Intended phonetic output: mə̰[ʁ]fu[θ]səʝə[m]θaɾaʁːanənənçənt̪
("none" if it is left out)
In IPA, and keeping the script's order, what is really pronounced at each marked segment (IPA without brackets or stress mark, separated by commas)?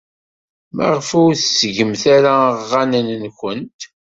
ʁ, θ, m